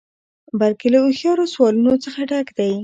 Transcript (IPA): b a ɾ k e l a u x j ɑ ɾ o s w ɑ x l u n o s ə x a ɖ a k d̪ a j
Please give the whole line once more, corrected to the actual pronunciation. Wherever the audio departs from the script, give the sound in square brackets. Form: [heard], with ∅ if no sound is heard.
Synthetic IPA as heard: b a [l] k e l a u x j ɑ ɾ o s w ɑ [∅] l u n o [t͡s] ə x a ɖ a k d̪ a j